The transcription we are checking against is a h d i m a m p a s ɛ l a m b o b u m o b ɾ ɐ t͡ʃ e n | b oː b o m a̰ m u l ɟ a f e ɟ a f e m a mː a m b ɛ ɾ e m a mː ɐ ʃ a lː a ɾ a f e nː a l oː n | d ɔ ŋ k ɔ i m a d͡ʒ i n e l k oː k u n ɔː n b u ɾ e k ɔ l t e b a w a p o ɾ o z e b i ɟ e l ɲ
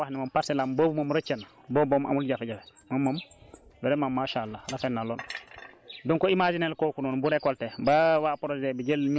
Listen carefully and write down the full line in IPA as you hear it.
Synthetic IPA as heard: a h n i m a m p a s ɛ l a m b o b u m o m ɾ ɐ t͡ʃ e n | b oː b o m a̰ m u l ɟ a f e ɟ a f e m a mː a m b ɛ ɾ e m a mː a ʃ a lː a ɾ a f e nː a l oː n | d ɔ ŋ k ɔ i m a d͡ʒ i n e l k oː k u n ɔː n b u ɾ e k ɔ l t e b a w a p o ɾ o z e b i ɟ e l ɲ